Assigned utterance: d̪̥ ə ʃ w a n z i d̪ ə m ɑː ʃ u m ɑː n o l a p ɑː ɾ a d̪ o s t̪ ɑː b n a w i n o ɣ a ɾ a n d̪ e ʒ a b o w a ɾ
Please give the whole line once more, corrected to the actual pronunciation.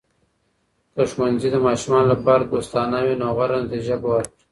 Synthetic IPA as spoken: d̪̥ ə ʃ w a n z i d̪ ə m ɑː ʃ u m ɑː n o l a p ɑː ɾ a d̪ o s t̪ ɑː n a w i n o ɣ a ɾ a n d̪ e ʒ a b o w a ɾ